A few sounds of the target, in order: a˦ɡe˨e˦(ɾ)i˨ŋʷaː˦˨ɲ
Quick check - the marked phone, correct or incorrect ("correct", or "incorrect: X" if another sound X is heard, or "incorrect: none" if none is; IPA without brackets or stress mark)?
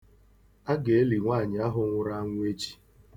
incorrect: l